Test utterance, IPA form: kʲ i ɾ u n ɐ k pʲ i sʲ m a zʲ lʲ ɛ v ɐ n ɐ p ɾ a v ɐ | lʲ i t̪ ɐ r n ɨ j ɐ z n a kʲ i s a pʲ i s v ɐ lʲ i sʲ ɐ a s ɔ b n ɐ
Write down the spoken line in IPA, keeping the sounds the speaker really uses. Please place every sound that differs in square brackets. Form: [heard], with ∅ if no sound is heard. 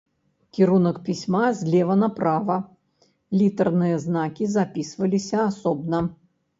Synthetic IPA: kʲ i ɾ u n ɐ k pʲ i sʲ m a zʲ lʲ ɛ v ɐ n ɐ p ɾ a v ɐ | lʲ i t̪ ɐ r n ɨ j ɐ z n a kʲ i [z] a pʲ i s v ɐ lʲ i sʲ ɐ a s ɔ b n ɐ